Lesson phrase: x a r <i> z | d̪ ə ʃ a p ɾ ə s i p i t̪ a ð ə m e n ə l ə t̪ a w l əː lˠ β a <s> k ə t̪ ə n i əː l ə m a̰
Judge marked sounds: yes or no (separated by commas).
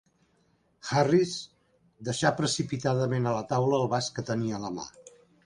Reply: yes, yes